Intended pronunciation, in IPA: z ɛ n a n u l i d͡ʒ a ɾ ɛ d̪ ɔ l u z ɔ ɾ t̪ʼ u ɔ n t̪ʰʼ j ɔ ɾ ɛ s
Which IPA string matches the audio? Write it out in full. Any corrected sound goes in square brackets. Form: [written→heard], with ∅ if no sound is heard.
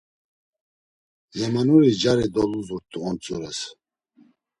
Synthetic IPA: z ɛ [n→m] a n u [l→ɾ] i d͡ʒ a ɾ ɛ d̪ ɔ l u z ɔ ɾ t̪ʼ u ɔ n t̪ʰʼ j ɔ ɾ ɛ s